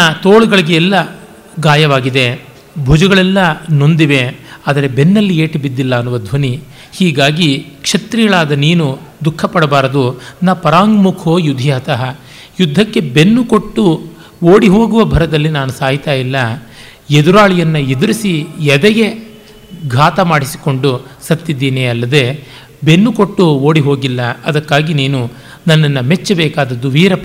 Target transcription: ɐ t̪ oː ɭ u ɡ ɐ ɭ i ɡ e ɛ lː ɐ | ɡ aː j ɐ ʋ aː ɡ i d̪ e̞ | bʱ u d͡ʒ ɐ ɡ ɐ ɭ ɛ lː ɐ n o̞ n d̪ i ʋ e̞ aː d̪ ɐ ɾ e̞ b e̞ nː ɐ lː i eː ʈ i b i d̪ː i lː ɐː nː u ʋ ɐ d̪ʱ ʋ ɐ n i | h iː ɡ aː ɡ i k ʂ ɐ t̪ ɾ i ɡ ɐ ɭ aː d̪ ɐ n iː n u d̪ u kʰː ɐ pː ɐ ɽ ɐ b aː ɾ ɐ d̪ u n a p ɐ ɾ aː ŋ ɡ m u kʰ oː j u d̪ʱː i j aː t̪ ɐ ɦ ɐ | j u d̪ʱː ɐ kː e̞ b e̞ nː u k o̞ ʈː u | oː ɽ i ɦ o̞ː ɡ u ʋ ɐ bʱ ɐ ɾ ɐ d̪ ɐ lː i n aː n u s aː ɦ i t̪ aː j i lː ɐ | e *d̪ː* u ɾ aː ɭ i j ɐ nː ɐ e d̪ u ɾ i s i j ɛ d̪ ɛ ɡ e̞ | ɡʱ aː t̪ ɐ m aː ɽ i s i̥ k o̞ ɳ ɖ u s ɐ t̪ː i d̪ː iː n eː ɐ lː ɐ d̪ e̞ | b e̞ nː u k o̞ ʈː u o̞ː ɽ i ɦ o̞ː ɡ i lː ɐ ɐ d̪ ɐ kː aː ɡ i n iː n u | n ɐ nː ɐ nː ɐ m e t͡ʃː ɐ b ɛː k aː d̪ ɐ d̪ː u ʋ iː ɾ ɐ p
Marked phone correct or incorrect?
incorrect